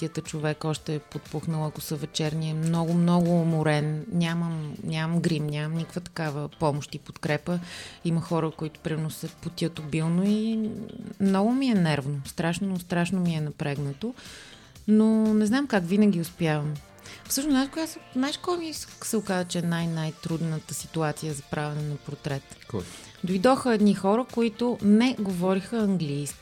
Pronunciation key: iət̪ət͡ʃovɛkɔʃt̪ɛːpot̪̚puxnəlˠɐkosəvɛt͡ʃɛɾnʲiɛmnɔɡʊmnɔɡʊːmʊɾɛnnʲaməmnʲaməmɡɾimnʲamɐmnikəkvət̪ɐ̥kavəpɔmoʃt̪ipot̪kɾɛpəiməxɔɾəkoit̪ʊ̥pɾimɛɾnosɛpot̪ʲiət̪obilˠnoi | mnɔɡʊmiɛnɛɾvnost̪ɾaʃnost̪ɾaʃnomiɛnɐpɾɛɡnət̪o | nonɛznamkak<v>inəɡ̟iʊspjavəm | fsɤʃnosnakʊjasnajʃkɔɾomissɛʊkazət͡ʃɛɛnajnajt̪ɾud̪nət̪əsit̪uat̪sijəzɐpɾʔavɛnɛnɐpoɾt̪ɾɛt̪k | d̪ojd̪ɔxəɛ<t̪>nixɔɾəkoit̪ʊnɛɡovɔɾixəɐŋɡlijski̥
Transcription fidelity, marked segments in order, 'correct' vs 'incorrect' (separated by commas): correct, incorrect